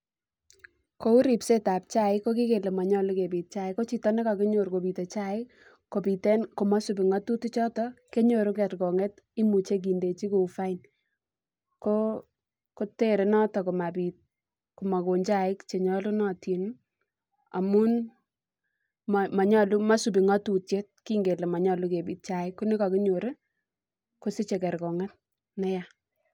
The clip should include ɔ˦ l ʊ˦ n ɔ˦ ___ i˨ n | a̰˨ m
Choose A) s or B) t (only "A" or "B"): B